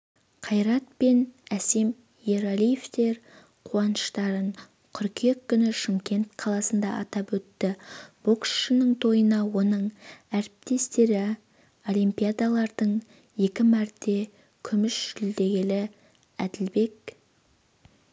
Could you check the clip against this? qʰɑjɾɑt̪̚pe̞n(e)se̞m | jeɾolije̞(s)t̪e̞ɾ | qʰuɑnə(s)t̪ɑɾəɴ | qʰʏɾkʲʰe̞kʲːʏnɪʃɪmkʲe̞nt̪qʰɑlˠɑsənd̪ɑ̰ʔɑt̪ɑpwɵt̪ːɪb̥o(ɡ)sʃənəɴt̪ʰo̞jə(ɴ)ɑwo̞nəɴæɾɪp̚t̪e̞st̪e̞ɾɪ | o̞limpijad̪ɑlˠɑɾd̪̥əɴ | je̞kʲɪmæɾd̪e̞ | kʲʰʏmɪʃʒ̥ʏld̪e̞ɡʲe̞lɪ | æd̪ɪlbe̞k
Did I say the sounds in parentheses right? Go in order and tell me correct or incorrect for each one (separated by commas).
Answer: incorrect, incorrect, incorrect, incorrect, incorrect